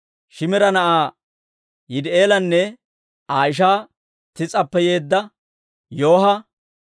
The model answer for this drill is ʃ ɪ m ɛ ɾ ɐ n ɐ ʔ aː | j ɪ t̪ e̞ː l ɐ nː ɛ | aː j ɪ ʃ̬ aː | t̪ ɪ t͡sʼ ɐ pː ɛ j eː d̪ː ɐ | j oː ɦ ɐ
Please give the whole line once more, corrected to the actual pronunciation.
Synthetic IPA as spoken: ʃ ɪ m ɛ ɾ ɐ n ɐ ʔ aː | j ɪ d̪ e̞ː l ɐ nː ɛ | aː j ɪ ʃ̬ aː | t̪ ɪ t͡sʼ ɐ pː ɛ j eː d̪ː ɐ | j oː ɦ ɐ